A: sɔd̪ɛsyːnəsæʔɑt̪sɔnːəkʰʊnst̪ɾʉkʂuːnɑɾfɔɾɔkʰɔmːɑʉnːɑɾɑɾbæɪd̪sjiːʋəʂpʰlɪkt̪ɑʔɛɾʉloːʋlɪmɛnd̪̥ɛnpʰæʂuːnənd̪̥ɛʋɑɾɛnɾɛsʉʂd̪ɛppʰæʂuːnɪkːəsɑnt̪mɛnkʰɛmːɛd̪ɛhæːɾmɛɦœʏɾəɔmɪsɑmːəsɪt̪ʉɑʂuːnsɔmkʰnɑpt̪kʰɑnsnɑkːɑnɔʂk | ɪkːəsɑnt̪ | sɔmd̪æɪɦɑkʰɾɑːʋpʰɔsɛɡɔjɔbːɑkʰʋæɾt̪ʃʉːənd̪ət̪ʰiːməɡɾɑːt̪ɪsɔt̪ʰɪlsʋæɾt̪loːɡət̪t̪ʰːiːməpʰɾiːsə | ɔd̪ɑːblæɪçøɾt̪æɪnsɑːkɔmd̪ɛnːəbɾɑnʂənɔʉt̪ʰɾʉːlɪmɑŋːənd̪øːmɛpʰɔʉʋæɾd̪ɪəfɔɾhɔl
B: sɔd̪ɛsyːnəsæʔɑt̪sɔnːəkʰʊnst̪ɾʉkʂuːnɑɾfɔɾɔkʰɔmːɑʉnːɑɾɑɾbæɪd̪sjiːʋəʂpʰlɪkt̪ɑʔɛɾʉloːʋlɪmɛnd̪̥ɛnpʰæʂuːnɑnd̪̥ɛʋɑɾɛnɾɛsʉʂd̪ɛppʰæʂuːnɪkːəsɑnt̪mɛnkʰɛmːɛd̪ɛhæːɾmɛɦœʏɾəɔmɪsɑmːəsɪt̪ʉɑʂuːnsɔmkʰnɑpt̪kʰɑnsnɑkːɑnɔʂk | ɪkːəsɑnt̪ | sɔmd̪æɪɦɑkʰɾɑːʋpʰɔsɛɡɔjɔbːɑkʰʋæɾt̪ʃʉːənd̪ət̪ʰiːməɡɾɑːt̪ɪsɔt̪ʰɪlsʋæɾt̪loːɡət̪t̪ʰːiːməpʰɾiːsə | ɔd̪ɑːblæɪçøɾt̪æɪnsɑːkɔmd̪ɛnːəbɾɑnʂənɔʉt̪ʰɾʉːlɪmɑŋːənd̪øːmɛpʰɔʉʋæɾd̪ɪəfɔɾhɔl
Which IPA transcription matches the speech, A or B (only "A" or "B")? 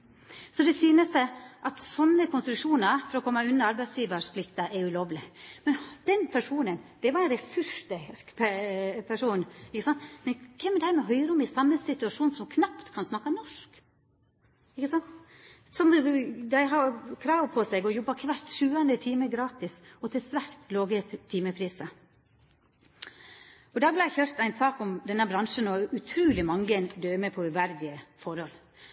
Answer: A